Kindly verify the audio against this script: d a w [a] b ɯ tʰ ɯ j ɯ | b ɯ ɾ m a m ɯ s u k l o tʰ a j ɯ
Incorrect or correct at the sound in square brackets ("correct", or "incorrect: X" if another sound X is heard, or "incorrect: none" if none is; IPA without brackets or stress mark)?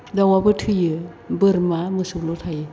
correct